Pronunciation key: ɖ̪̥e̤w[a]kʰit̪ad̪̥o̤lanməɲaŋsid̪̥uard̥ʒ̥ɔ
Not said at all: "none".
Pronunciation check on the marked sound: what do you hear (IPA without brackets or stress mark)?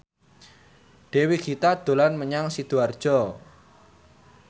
i